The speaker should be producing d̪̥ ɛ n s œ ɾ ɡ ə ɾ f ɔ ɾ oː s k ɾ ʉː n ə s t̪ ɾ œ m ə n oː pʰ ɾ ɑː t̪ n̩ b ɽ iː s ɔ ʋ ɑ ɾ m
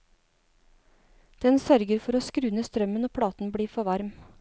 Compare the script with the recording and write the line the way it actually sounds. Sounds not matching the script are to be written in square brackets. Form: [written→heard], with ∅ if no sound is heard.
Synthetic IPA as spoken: d̪̥ ɛ n s œ ɾ ɡ ə ɾ f ɔ ɾ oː s k ɾ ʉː n ə s t̪ ɾ œ m ə n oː pʰ [ɾ→ɽ] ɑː t̪ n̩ b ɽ iː [s→f] ɔ ʋ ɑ ɾ m